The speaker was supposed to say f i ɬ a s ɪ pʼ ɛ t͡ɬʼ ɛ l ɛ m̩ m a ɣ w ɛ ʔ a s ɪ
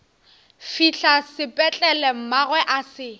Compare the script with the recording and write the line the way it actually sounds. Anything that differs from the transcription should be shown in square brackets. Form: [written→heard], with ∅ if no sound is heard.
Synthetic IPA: f i ɬ a s ɪ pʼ ɛ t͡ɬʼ ɛ l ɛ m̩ m a ɣ w ɛ ʔ a s ɪ